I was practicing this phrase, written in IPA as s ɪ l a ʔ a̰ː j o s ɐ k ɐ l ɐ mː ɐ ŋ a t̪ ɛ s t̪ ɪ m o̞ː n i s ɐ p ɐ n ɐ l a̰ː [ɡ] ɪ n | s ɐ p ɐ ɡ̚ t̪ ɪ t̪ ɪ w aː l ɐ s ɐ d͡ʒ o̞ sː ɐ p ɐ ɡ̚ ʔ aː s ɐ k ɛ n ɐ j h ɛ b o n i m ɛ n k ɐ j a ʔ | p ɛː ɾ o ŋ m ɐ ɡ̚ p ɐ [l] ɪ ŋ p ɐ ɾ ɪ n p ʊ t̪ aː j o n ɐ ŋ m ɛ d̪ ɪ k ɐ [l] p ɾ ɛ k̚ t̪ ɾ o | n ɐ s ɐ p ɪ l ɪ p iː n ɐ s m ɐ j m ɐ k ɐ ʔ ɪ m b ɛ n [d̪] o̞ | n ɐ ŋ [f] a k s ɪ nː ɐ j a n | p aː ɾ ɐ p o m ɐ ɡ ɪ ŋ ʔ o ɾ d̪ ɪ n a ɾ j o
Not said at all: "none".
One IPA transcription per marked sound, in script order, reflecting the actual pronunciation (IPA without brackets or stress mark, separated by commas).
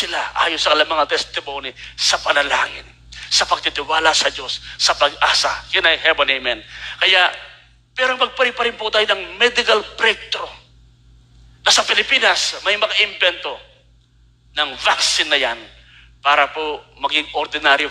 ŋ, ɾ, l, t̪, v